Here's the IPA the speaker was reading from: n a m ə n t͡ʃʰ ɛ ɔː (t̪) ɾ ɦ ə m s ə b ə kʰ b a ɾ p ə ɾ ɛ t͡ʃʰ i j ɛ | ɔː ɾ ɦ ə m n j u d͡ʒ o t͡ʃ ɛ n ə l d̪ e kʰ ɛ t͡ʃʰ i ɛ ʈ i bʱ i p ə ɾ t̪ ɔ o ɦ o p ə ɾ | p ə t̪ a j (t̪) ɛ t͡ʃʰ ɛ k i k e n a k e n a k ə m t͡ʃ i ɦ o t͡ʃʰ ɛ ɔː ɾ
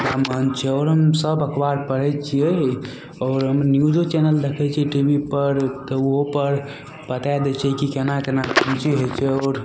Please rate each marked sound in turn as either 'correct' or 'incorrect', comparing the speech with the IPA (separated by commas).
incorrect, incorrect